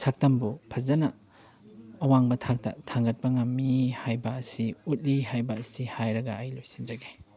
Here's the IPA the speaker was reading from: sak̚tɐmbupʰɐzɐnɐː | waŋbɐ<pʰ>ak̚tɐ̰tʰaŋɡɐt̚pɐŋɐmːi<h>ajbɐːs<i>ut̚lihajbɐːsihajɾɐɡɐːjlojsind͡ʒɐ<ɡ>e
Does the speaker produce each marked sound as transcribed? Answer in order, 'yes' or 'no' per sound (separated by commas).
no, yes, yes, yes